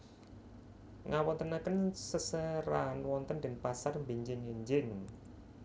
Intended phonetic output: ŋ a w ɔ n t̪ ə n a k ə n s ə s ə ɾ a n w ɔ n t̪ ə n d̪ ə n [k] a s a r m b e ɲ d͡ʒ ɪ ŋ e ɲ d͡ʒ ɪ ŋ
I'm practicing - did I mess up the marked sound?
yes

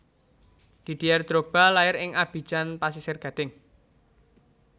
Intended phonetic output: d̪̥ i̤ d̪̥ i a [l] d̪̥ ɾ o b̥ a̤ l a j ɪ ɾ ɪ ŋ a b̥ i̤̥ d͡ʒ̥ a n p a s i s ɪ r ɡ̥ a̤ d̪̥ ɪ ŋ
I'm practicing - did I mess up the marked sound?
yes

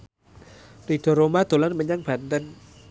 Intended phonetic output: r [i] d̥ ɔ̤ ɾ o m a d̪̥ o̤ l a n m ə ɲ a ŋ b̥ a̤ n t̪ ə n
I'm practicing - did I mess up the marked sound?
no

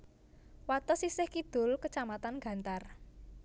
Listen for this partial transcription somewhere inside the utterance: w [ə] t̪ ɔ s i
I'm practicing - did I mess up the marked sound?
yes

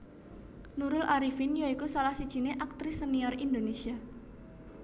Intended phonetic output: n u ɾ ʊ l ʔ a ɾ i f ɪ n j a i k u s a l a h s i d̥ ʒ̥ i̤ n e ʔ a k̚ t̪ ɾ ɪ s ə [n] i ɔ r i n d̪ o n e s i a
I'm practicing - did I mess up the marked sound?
no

